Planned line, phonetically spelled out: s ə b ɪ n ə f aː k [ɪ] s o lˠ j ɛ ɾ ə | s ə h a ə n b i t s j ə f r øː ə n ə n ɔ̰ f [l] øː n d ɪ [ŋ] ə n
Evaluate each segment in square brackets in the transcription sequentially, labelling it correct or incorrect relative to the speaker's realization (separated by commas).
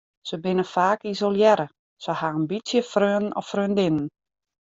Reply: incorrect, incorrect, incorrect